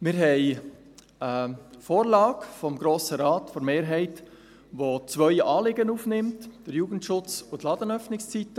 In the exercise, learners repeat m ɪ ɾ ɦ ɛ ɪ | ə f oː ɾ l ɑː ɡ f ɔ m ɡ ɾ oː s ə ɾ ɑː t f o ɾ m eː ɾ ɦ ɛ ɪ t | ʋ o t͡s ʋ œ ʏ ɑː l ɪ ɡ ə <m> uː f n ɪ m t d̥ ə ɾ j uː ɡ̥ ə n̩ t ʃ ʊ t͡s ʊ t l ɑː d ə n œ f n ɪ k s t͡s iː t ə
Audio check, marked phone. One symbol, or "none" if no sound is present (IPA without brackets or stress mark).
n